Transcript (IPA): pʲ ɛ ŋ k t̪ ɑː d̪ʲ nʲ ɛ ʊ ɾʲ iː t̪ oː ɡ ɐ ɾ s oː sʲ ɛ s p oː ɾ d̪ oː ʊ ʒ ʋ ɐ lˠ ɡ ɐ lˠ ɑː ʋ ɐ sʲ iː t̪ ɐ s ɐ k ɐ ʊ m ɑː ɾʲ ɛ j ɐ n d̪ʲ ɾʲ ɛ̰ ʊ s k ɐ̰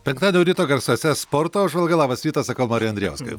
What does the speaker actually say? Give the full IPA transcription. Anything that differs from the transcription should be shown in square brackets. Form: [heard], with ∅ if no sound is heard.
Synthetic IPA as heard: pʲ ɛ ŋ k t̪ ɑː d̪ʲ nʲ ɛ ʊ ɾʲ iː t̪ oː ɡ ɐ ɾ s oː sʲ ɛ s p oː ɾ [t̪] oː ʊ ʒ ʋ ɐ lˠ ɡ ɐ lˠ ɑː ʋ ɐ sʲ iː t̪ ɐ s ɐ k ɐ ʊ m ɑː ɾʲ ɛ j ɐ n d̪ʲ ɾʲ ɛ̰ ʊ s k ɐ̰